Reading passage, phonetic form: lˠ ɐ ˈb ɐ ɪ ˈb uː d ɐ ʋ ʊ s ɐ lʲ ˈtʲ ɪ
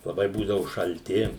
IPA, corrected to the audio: lˠ ɐ ˈb ɐ ɪ ˈb uː d ɐ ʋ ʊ ʃ ɐ lʲ ˈtʲ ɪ